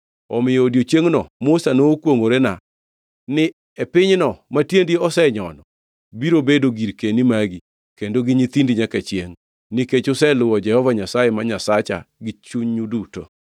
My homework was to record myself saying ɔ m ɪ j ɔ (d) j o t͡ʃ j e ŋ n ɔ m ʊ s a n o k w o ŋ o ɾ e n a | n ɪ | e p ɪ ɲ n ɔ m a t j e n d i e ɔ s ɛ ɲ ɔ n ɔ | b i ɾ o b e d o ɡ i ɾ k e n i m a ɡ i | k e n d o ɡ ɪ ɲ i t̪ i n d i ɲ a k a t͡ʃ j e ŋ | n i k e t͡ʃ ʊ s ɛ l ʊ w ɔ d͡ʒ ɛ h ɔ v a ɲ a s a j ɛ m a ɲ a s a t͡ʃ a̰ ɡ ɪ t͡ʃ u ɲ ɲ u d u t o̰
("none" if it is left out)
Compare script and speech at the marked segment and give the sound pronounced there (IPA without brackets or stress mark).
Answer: d